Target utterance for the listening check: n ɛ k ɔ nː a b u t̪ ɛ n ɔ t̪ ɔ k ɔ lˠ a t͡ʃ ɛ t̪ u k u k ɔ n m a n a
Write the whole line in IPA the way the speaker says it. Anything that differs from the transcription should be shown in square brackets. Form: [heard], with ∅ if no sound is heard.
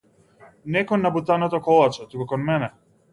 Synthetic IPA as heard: n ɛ k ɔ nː a b u t̪ [a] n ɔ t̪ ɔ k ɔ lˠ a t͡ʃ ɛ t̪ u k u k ɔ n m [ɛ] n [ɛ]